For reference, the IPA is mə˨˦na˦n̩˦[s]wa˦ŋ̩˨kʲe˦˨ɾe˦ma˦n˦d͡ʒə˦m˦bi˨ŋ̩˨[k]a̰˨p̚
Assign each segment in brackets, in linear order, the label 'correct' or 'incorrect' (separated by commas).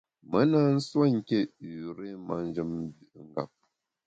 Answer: correct, incorrect